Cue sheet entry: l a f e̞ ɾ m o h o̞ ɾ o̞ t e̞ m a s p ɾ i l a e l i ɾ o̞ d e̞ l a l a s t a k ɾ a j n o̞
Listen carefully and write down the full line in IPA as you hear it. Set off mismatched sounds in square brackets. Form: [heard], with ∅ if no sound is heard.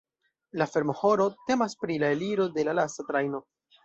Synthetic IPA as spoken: l a f e̞ ɾ m o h o̞ ɾ o̞ t e̞ m a s p ɾ i l a e l i ɾ o̞ d e̞ l a l a s t a [t] ɾ a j n o̞